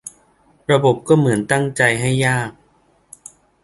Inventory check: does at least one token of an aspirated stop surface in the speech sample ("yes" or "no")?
no